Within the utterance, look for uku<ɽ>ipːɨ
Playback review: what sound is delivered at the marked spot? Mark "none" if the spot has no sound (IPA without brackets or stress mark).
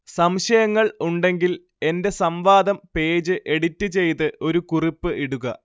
r